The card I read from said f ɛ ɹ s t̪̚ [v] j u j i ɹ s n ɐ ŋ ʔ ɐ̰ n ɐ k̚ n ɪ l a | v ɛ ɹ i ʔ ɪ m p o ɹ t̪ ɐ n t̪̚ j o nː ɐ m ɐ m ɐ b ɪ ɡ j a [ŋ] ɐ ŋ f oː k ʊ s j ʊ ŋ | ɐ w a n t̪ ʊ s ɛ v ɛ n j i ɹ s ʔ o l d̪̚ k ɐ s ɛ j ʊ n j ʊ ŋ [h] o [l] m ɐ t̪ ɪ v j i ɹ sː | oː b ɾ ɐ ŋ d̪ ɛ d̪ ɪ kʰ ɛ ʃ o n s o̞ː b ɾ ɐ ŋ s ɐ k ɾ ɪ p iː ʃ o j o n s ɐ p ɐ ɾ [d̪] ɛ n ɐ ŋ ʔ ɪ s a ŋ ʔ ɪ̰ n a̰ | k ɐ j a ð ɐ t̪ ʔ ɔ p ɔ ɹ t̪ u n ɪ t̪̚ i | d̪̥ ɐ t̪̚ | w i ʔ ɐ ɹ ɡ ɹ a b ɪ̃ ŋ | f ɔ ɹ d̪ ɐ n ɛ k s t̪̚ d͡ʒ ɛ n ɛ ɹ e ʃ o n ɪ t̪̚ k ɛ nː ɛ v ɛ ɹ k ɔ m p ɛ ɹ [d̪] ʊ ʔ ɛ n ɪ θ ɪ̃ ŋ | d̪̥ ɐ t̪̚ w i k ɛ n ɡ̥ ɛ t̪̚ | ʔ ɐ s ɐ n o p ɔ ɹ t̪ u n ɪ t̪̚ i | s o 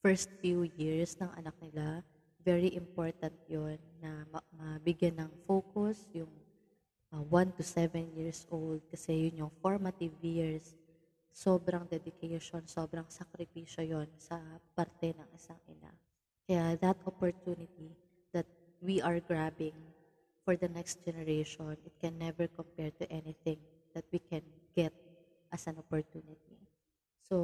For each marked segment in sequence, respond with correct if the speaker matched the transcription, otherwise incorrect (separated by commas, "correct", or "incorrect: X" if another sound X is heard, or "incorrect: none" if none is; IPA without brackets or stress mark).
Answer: incorrect: f, incorrect: n, incorrect: f, incorrect: ɹ, incorrect: t̪, incorrect: t̪